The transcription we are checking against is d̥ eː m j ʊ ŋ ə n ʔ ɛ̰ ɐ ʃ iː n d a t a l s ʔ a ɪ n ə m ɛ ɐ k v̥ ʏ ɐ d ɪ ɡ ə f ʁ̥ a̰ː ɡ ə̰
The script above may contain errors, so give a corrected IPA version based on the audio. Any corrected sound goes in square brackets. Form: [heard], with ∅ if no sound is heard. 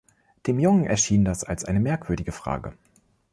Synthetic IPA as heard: d̥ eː m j ʊ ŋ ə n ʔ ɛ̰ ɐ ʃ iː n d a [s] a l s ʔ a ɪ n ə m ɛ ɐ k v̥ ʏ ɐ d ɪ ɡ ə f ʁ̥ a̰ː ɡ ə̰